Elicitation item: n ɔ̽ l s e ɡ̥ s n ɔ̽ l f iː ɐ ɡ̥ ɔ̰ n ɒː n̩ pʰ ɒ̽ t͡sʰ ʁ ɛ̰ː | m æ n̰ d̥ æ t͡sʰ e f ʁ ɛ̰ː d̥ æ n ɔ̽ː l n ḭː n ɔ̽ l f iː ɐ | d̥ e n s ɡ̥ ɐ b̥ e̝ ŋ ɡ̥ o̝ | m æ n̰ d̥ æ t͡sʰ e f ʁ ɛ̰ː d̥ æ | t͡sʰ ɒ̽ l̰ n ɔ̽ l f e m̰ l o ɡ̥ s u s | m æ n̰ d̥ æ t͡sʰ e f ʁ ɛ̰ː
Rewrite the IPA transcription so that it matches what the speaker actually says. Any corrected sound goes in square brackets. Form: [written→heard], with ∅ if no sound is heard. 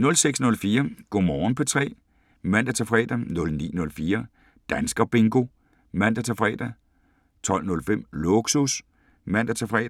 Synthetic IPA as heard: n ɔ̽ l s e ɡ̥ s n ɔ̽ l f iː ɐ ɡ̥ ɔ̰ [n→m] ɒː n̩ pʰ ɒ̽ t͡sʰ ʁ ɛ̰ː | m æ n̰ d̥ æ t͡sʰ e f ʁ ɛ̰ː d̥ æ n [ɔ̽ː→ɔ̽] l n ḭː n ɔ̽ l f iː ɐ | d̥ [e→æ] n s ɡ̥ ɐ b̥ e̝ ŋ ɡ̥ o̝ | m æ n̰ d̥ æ t͡sʰ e f ʁ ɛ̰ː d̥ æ | t͡sʰ ɒ̽ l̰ n ɔ̽ l f e m̰ l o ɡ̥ s u s | m æ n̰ d̥ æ t͡sʰ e f ʁ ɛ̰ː